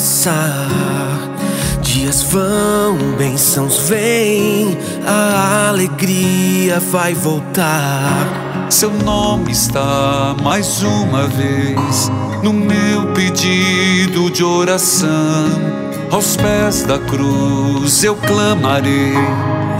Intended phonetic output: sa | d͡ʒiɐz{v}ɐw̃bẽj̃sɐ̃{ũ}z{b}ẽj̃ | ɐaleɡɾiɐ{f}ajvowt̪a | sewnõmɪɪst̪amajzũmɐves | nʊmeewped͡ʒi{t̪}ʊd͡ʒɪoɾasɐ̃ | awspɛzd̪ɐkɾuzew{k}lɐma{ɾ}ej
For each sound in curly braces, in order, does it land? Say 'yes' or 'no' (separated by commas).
yes, no, no, no, no, yes, yes